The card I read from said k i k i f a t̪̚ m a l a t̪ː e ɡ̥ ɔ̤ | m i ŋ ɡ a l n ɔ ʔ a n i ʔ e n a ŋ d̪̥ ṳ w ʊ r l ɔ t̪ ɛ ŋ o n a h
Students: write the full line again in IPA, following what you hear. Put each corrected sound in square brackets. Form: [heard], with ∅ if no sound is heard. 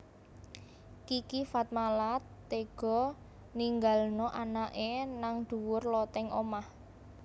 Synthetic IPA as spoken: k i k i f a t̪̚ m a l a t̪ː e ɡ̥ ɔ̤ | [n] i ŋ ɡ a l n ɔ ʔ a n [a] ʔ e n a ŋ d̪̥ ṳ w ʊ r l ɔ t̪ ɛ ŋ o [m] a h